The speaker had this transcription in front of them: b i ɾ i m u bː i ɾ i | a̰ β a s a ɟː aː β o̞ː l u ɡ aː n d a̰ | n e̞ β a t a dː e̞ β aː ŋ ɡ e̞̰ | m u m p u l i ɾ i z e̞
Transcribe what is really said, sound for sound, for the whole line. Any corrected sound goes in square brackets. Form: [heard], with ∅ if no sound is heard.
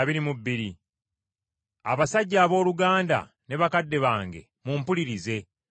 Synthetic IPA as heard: [β] i ɾ i m u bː i ɾ i | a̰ β a s a ɟː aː β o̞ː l u ɡ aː n d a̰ | n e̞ β a [k] a dː e̞ β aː ŋ ɡ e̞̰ | m u m p u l i ɾ i z e̞